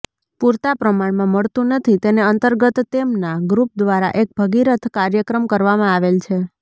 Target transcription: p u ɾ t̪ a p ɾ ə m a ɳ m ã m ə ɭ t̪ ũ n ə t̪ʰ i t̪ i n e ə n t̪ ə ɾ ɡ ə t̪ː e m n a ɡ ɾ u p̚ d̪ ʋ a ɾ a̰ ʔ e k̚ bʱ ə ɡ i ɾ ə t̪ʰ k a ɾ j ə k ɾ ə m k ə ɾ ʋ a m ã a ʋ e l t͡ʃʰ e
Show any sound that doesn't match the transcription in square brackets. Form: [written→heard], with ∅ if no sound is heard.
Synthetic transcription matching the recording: p u ɾ t̪ a p ɾ ə m a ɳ m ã m ə ɭ t̪ ũ n ə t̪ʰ i t̪ [i→e] n e ə n t̪ ə ɾ ɡ ə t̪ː e m n a ɡ ɾ u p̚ d̪ ʋ a ɾ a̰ ʔ e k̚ bʱ ə ɡ i ɾ ə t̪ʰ k a ɾ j ə k ɾ ə m k ə ɾ ʋ a m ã a ʋ e l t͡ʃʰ e